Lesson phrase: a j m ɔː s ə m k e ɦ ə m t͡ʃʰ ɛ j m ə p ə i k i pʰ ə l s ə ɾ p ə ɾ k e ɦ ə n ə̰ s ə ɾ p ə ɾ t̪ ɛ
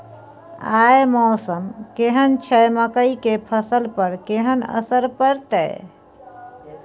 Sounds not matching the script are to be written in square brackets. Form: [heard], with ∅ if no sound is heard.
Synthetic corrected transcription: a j m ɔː s ə m k e ɦ ə [n] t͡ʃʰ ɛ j m ə [k] ə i k [e] pʰ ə [∅] s ə [l] p ə ɾ k e ɦ ə n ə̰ s ə ɾ p ə ɾ t̪ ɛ